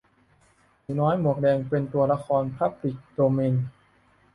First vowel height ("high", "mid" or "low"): mid